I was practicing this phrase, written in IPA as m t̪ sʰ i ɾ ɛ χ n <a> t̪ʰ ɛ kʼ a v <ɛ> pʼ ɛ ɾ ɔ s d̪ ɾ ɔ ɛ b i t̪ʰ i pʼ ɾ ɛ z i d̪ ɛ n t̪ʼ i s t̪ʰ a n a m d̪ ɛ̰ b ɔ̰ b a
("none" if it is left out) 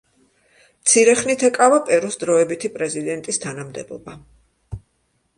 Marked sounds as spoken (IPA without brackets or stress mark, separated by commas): i, a